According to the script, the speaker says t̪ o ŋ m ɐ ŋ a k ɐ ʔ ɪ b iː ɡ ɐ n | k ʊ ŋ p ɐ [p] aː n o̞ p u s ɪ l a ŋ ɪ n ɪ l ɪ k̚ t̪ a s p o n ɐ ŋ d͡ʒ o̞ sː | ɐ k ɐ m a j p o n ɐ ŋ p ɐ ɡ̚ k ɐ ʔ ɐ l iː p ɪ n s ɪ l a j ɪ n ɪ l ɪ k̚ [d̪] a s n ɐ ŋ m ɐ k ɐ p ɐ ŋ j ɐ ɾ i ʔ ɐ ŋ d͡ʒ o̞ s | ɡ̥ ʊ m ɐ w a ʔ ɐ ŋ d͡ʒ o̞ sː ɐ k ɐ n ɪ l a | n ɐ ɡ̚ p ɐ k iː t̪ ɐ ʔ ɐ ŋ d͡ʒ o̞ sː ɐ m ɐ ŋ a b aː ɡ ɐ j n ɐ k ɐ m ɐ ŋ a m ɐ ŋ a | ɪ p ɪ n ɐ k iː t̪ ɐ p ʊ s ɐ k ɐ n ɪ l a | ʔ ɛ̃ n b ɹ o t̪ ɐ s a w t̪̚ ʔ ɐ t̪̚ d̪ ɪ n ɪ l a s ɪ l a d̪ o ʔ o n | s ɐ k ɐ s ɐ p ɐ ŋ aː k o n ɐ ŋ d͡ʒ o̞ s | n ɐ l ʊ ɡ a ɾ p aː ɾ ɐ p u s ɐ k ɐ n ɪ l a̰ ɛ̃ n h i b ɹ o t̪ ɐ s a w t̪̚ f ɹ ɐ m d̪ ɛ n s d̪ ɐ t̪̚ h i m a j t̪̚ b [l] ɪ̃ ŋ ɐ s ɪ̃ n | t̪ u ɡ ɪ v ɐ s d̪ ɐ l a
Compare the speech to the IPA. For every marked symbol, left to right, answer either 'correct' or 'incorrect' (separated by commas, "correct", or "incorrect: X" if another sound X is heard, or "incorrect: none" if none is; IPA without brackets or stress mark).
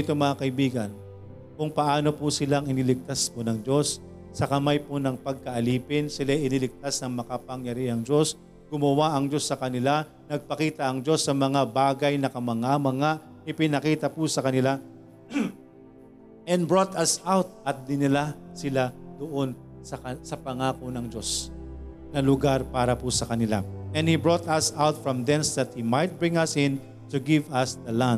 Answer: incorrect: ʔ, incorrect: t̪, incorrect: ɹ